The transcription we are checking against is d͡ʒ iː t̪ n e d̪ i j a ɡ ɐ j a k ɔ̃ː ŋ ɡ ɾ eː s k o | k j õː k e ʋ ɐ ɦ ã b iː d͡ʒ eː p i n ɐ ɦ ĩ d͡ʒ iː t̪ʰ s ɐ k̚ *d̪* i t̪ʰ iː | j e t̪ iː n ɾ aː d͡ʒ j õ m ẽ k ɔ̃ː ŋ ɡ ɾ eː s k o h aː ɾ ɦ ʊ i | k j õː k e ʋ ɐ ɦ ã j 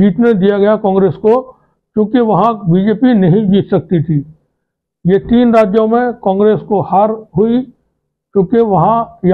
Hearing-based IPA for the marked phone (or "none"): t̪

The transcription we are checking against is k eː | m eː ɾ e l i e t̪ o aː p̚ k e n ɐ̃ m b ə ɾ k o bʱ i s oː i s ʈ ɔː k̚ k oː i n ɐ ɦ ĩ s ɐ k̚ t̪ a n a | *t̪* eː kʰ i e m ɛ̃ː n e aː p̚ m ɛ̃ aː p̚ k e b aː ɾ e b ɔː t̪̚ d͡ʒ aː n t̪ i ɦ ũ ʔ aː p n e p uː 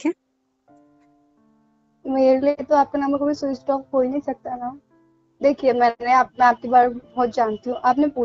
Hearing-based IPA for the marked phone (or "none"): d̪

